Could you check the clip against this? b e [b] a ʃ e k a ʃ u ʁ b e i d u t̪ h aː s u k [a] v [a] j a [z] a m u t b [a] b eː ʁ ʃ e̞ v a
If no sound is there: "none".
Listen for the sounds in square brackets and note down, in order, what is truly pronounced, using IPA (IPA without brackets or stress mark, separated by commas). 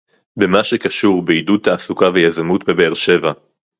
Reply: m, a, e, z, e